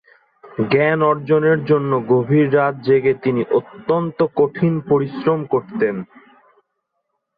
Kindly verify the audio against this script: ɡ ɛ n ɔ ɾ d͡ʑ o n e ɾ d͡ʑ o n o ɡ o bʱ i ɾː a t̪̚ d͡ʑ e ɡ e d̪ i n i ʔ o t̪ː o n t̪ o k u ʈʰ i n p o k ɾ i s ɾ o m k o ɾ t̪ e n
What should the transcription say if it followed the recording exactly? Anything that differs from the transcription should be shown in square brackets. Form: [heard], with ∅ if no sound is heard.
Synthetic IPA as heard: ɡ ɛ n ɔ ɾ d͡ʑ o n e ɾ d͡ʑ o [nː] o ɡ o bʱ i ɾː a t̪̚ d͡ʑ e ɡ e [t̪] i n i ʔ o t̪ː o n t̪ o k [o] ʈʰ i n p o [∅] ɾ i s ɾ o m k o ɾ t̪ e n

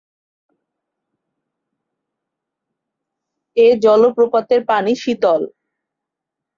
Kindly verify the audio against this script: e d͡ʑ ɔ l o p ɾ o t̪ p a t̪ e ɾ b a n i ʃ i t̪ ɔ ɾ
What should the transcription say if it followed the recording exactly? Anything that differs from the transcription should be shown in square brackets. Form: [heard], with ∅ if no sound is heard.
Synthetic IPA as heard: e d͡ʑ ɔ l o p ɾ o [∅] p a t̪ e ɾ [p] a n i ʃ i t̪ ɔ [l]

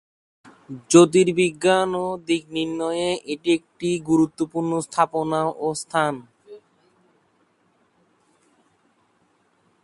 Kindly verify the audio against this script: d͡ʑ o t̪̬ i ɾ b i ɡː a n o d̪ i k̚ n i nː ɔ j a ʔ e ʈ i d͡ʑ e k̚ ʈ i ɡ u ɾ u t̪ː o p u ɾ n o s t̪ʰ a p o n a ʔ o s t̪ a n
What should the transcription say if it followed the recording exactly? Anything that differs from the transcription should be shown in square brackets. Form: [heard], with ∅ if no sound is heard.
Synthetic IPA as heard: d͡ʑ o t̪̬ i ɾ b i ɡː a n o d̪ i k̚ n i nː ɔ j [e] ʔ e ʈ i [∅] e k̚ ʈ i ɡ u ɾ u t̪ː o p u ɾ n o s t̪ʰ a p o n a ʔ o s [t̪ʰ] a n

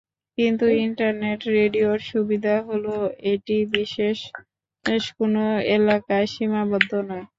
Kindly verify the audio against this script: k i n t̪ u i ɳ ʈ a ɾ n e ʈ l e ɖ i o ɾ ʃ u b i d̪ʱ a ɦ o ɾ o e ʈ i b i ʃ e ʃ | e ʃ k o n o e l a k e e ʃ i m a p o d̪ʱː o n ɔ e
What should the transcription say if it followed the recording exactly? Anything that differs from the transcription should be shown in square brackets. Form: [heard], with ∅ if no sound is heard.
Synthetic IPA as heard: k i n t̪ u i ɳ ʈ a ɾ n e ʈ [ɾ] e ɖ i o ɾ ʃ u b i d̪ʱ a ɦ o [l] o e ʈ i b i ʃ e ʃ | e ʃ k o n o e l a k [a] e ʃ i m a [b] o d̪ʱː o n ɔ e

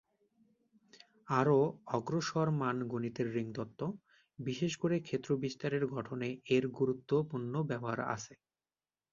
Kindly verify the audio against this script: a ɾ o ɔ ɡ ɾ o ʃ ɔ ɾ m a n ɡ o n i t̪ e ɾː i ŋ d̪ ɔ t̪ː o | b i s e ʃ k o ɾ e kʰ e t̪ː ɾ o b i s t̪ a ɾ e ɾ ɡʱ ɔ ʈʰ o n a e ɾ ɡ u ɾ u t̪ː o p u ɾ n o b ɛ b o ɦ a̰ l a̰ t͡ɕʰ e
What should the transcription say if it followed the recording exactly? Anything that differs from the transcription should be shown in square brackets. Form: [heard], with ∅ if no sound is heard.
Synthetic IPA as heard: a ɾ o ɔ ɡ ɾ o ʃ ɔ ɾ m a n ɡ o n i t̪ e ɾː i ŋ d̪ ɔ t̪ː o | b i [ʃ] e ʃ k o ɾ e kʰ e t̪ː ɾ o b i s t̪ a ɾ e ɾ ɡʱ ɔ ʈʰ o n [e] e ɾ ɡ u ɾ u t̪ː o p u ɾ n o b ɛ b o ɦ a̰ [ɾ] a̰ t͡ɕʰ e

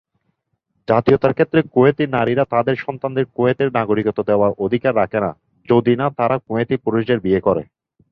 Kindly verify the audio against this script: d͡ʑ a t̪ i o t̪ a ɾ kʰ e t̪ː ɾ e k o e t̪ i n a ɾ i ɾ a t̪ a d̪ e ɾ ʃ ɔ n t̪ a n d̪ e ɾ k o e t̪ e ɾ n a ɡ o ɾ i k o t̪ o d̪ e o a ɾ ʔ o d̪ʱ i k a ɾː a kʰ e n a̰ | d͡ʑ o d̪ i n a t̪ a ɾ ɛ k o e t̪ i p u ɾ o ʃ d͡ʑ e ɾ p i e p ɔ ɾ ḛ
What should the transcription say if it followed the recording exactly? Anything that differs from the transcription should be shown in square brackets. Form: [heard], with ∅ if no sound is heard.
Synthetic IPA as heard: d͡ʑ a t̪ i o t̪ a ɾ kʰ e t̪ː ɾ e k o e t̪ i n a ɾ i ɾ a t̪ a d̪ e ɾ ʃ ɔ n t̪ a n d̪ e ɾ k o e t̪ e ɾ n a ɡ o ɾ i k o t̪ o d̪ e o a ɾ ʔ o d̪ʱ i k a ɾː a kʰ e n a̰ | d͡ʑ o d̪ i n a t̪ a ɾ [a] k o e t̪ i p u ɾ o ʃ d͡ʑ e ɾ [b] i e [k] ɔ ɾ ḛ

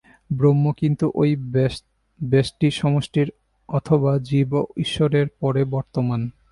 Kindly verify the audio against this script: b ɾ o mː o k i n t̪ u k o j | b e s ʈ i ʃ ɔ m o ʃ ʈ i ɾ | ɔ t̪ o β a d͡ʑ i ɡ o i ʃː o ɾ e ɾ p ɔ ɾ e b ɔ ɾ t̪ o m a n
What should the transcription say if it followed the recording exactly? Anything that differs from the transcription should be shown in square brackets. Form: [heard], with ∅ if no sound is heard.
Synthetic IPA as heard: b ɾ o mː o k i n t̪ u [ʔ] o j | b e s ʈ i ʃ ɔ m o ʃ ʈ i ɾ | ɔ [t̪ʰ] o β a d͡ʑ i [b] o i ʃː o ɾ e ɾ p ɔ ɾ e b ɔ ɾ t̪ o m a n

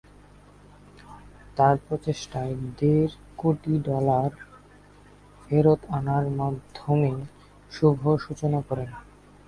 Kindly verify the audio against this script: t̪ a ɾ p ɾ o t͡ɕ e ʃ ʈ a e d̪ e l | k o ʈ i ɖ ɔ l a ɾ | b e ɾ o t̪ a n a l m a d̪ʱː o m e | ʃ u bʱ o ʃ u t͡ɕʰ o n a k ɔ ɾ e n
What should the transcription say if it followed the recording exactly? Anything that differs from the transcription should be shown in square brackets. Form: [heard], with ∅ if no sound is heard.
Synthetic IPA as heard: t̪ a ɾ p ɾ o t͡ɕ e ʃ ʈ a e d̪ e [ɾ] | k o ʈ i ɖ ɔ l a ɾ | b e ɾ o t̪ a n a [ɾ] m a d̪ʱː o m e | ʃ u bʱ o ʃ u [t͡ɕ] o n a k ɔ ɾ e n

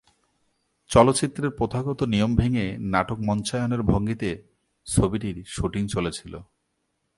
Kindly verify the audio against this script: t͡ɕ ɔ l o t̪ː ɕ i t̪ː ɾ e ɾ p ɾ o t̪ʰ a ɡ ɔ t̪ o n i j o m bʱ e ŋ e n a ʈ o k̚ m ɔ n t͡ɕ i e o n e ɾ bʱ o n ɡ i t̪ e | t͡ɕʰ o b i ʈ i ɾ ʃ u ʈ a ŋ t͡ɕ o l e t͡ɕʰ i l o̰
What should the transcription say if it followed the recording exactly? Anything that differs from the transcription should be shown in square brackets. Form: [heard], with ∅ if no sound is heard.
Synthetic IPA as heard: t͡ɕ ɔ l o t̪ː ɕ i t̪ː ɾ e ɾ p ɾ o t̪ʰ a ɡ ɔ t̪ o n i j o m bʱ e ŋ e n a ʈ o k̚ m ɔ n t͡ɕ [a] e o n e ɾ bʱ o [ŋ] ɡ i t̪ e | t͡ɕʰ o b i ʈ i ɾ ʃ u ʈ [i] ŋ t͡ɕ o l e t͡ɕʰ i l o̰

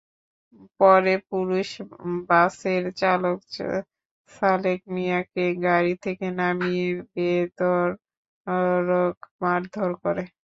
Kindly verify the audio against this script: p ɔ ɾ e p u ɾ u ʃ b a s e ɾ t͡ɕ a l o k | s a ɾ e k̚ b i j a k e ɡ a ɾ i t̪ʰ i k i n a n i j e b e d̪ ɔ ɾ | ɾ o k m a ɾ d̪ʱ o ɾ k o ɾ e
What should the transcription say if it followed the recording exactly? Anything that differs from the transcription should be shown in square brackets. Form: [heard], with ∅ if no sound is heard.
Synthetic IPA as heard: p ɔ ɾ e p u ɾ u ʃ b a s e ɾ t͡ɕ a l o k | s a [l] e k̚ [m] i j a k e ɡ a ɾ i t̪ʰ [e] k [e] n a [m] i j e b e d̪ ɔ ɾ | ɾ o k m a ɾ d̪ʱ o ɾ k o ɾ e

